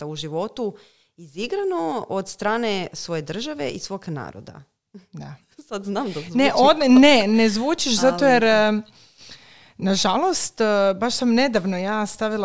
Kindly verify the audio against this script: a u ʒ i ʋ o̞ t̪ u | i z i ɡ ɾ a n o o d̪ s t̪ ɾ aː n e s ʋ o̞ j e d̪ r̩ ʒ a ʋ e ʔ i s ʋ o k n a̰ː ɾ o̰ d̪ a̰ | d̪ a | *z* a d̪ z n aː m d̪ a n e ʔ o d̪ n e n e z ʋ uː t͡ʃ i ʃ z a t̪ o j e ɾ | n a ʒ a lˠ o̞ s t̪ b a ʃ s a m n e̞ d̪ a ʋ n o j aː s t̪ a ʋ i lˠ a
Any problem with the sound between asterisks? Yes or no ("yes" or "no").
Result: yes